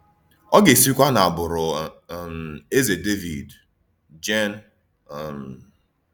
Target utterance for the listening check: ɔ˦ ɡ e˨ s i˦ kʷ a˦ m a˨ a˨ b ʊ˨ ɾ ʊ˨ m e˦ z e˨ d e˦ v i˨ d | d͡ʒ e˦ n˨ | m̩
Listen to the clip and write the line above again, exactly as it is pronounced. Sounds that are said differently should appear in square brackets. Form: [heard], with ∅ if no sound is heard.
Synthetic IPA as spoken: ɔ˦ ɡ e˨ s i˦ kʷ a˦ [n] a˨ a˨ b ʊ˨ ɾ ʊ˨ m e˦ z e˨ d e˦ v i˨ d | d͡ʒ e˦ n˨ | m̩